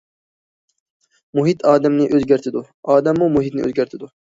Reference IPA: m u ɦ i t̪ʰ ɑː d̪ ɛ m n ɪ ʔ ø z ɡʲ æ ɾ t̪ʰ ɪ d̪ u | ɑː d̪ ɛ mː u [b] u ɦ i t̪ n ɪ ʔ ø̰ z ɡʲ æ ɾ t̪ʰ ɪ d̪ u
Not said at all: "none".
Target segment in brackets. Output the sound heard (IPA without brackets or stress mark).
m